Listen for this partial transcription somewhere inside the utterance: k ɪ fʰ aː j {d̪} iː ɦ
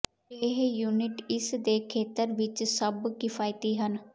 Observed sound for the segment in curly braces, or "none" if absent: t̪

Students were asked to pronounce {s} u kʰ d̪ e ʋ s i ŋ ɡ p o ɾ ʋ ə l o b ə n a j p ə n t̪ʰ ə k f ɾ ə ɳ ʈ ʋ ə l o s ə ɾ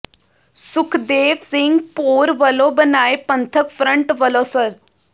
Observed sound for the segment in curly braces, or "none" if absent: s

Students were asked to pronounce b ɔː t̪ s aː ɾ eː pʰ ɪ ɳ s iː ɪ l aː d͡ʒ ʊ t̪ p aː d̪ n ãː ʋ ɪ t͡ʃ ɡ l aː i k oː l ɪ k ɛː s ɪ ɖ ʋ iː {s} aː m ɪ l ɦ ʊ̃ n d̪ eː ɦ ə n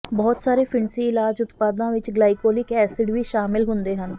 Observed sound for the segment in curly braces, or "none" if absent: ʃ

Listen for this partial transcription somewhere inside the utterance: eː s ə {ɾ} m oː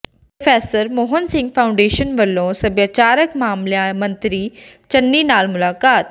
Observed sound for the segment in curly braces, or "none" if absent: ɾ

